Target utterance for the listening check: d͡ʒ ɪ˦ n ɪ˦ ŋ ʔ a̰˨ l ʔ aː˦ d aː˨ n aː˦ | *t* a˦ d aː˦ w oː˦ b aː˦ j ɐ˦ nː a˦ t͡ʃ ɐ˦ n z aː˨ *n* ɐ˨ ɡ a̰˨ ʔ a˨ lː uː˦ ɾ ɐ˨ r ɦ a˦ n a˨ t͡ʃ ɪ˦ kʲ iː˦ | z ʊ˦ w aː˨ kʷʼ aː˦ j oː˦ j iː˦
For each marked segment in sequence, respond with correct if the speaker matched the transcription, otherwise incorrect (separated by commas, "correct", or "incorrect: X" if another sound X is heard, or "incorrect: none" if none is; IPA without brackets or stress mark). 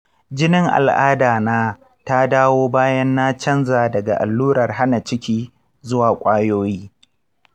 correct, incorrect: d